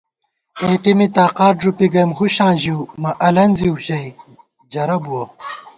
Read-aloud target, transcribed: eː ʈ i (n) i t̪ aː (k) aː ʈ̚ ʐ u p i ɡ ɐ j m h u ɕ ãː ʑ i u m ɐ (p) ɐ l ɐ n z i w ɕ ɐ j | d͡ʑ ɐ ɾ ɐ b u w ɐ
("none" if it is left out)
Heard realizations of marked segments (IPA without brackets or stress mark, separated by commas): m, q, ʔ